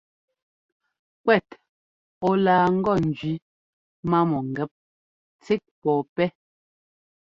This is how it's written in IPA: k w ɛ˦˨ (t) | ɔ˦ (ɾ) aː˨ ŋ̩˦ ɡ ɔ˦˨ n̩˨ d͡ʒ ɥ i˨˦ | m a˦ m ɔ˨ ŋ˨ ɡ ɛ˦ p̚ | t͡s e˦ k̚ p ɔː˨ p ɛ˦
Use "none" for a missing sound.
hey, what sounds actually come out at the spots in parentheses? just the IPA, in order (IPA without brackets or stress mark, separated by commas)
t, l